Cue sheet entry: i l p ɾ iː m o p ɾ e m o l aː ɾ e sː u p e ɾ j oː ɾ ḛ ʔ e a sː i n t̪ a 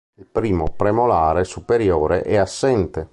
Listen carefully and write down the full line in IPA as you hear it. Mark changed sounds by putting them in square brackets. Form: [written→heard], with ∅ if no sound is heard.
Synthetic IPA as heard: i l p ɾ iː m o p ɾ e m o l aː ɾ e [sː→s] u p e ɾ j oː ɾ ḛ ʔ [e→ɛ] a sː [i→ɛ] n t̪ [a→e]